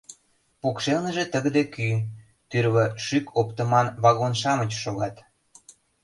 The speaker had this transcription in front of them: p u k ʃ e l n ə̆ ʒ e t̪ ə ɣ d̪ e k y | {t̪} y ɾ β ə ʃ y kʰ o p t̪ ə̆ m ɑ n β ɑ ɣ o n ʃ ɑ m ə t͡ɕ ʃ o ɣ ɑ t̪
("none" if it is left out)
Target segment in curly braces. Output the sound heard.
t̪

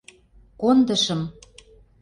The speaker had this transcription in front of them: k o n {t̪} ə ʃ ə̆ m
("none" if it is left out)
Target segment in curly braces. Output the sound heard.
d̪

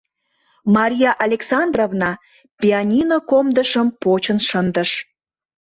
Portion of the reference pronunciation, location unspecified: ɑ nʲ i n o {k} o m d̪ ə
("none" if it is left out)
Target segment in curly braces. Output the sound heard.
k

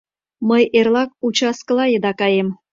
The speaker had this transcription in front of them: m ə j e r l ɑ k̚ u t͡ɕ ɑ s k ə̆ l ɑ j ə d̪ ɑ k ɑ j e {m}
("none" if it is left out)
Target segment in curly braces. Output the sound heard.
m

